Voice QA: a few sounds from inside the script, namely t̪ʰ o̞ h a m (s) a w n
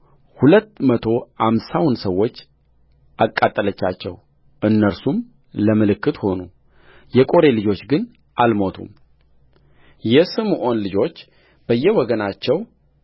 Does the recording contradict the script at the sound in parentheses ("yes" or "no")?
no